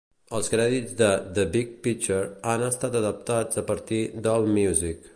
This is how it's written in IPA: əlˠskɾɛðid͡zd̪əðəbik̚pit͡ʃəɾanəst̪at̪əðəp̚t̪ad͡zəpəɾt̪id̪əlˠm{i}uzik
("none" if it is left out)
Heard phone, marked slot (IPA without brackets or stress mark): j